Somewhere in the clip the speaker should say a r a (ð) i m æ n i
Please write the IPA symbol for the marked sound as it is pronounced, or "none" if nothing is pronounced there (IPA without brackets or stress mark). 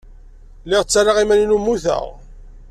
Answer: ʁ